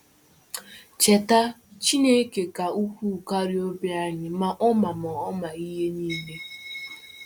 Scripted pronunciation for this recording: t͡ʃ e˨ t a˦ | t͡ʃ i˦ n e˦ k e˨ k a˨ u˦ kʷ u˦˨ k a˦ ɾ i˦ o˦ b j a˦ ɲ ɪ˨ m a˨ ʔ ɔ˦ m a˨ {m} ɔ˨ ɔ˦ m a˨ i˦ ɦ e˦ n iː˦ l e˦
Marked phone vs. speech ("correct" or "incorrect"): correct